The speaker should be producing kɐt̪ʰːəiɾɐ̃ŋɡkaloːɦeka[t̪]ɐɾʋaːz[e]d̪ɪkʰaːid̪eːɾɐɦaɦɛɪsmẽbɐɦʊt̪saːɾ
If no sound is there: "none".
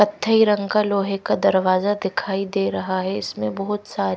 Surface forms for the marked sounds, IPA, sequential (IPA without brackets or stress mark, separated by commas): d̪, a